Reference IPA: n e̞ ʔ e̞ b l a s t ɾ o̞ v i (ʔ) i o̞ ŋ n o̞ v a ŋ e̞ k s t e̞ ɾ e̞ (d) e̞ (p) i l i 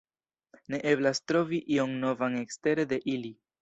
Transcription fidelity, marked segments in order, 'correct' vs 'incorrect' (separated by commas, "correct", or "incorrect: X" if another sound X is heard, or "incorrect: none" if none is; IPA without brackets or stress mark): correct, correct, incorrect: ʔ